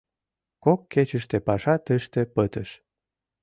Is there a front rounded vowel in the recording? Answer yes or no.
no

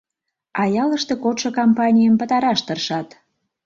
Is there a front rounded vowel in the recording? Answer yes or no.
no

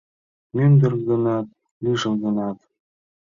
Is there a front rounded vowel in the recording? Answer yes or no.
yes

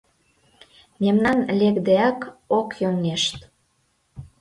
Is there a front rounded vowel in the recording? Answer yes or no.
no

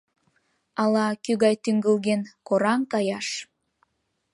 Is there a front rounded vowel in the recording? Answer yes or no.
yes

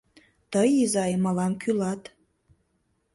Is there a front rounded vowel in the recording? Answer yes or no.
yes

